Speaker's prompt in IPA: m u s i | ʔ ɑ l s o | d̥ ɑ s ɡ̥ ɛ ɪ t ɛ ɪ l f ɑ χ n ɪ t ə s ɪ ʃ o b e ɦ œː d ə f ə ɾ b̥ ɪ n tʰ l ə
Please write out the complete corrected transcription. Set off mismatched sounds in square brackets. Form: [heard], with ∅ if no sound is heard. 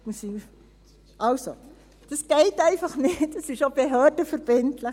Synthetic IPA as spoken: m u s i | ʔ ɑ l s o | d̥ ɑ s ɡ̥ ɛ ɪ t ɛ ɪ [∅] f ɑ χ n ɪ t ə s ɪ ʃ o b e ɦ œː d ə f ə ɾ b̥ ɪ n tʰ l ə

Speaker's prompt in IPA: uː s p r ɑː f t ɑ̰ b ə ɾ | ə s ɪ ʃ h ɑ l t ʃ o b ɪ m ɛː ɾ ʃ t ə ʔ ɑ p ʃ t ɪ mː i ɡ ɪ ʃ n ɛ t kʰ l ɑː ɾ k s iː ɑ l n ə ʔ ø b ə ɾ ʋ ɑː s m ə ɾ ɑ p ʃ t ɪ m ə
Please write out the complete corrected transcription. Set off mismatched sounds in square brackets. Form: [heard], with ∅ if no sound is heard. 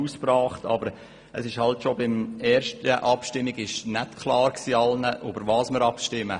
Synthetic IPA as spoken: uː s p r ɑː [χ] t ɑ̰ b ə ɾ | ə s ɪ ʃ h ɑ l t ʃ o b ɪ m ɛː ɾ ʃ t ə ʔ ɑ p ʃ t ɪ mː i ɡ ɪ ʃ n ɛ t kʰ l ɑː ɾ k s iː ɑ l n ə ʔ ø b ə ɾ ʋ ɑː s m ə ɾ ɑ p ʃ t ɪ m ə

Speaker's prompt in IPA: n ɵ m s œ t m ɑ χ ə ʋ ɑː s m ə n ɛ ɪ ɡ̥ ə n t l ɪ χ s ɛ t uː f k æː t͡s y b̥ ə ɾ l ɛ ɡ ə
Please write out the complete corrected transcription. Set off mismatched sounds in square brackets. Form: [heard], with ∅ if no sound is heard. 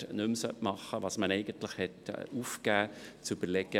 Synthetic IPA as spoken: n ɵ m s œ t m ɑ χ ə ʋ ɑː s m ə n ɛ ɪ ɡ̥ ə n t l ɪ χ [h] ɛ t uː f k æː t͡s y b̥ ə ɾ l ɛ ɡ ə

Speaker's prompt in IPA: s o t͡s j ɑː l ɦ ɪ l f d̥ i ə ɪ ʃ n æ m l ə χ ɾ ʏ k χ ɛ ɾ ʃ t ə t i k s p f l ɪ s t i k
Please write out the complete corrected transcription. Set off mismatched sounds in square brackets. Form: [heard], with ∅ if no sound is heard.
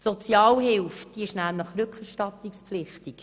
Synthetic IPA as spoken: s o t͡s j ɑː l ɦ ɪ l f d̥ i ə ɪ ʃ n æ m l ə χ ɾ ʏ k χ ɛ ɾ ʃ t [ɑ] t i k s p f l ɪ [χ] t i k

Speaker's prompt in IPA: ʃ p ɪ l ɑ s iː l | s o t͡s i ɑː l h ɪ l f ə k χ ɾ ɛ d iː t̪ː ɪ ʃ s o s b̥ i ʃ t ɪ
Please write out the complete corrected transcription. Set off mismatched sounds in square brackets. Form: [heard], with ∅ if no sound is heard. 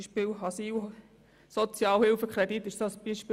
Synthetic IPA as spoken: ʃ p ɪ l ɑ s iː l | s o t͡s [j] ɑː l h ɪ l f ə k χ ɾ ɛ d [i] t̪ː ɪ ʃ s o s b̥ i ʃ [p] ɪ

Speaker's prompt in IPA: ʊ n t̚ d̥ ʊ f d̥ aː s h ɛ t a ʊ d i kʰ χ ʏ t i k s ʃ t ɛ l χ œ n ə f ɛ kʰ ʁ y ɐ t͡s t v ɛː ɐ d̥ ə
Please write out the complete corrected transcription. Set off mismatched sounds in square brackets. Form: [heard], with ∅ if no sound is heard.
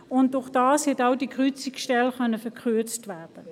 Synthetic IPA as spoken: ʊ n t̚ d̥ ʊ [χ] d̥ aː s h ɛ t a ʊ d i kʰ [ʁ] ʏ [t͡s] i k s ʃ t ɛ l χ œ n ə f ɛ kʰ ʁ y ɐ t͡s t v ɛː ɐ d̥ ə

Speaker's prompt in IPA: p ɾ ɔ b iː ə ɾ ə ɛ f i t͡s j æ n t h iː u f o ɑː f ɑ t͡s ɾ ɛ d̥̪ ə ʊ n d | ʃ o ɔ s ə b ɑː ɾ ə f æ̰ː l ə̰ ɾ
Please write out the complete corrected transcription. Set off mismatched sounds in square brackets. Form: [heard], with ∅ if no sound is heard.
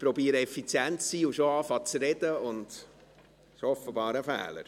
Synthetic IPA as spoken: p ɾ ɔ b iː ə ɾ ə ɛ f i t͡s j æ n t [s] iː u [ʃ] o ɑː f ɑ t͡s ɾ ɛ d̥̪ ə ʊ n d | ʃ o ɔ [f] ə b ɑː ɾ ə f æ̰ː l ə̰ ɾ

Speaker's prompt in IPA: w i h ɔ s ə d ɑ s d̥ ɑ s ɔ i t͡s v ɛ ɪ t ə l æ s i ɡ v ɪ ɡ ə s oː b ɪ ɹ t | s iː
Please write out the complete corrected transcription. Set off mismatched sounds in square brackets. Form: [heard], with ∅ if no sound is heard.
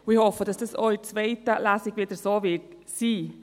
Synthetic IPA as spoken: w i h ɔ [f] ə d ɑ s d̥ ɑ s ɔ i t͡s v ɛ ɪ t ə l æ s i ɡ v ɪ [d] ə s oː [v] ɪ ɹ t | s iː

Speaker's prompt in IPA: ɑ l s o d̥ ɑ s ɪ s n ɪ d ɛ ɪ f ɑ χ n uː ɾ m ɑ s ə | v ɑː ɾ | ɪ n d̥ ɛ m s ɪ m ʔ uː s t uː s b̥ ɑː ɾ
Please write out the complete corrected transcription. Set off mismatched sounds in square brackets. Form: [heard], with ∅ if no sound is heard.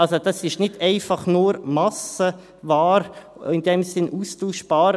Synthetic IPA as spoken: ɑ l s o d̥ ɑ s ɪ [ʃ] n ɪ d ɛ ɪ f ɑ χ n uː ɾ m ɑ s ə | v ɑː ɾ | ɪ n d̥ ɛ m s ɪ [n] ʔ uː s t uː [ʃ] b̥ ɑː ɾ

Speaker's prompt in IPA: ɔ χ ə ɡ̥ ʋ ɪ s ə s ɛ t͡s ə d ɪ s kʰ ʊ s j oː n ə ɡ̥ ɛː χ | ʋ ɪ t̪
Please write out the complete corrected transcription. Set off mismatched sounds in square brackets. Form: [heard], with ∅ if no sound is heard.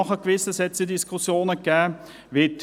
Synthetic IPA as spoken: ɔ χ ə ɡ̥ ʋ ɪ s ə s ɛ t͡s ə d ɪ s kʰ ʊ s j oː n ə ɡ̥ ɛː [∅] | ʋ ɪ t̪

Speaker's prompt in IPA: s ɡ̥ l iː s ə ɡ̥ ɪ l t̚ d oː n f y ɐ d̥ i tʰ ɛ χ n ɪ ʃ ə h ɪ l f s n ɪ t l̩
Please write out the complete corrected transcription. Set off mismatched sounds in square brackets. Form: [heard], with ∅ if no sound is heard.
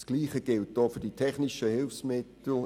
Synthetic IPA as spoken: s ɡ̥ l iː [χ] ə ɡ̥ ɪ l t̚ d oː [∅] f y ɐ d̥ i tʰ ɛ χ n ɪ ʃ ə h ɪ l f s [m] ɪ t l̩

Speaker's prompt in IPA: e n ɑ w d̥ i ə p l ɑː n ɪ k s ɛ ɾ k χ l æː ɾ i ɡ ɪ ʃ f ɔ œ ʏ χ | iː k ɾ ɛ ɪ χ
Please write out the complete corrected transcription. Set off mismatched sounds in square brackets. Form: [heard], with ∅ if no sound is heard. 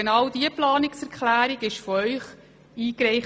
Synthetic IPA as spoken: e n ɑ w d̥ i ə p l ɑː n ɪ k s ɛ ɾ k χ l æː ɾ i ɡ ɪ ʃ f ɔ œ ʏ χ | iː k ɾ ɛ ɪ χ

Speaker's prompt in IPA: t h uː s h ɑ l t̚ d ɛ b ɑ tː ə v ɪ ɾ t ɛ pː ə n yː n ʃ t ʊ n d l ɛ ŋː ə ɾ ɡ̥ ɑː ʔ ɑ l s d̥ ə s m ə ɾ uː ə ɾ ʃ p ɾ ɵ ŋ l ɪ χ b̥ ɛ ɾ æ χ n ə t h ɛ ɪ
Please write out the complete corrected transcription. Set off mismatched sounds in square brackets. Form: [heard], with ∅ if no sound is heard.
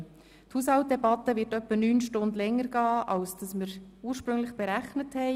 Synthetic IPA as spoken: t h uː s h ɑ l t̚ d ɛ b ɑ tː ə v ɪ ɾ t [œ] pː ə n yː n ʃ t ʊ n d l ɛ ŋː ə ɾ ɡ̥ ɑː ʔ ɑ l s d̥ [ɑ] s m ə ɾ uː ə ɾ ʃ p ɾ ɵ ŋ l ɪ χ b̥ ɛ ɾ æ χ n ə t h ɛ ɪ

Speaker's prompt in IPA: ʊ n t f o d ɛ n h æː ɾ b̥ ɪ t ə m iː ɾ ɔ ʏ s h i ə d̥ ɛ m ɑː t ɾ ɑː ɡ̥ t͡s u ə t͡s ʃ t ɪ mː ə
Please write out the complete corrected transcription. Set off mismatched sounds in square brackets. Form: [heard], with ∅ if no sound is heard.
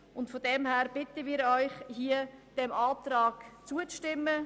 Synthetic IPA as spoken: ʊ n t f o d ɛ [m] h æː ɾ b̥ ɪ t ə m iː ɾ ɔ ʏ [χ] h i ə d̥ ɛ m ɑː t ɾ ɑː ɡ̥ t͡s u ə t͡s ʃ t ɪ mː ə

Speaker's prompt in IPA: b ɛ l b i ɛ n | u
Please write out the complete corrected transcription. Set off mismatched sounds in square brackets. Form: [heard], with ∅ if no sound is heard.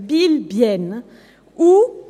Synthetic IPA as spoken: b [i] l b [j] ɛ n | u

